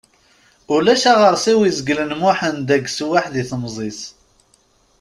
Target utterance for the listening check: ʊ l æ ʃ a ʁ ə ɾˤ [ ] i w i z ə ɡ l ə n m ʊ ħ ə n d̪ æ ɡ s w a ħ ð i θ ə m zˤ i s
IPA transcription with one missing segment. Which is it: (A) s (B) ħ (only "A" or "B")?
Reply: A